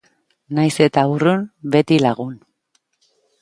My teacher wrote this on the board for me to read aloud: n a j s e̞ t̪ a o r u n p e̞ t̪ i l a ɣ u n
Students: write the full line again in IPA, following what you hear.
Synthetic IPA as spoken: n a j s e̞ t̪ a u r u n b e̞ t̪ i l a ɣ u n